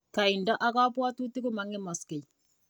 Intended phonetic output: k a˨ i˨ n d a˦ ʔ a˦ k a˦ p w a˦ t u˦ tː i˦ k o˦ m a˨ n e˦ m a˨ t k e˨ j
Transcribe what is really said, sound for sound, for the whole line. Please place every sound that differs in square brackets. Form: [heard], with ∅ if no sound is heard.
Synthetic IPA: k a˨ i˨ n d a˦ ʔ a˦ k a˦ p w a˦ t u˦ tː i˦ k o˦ m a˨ [ŋ] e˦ m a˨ [s] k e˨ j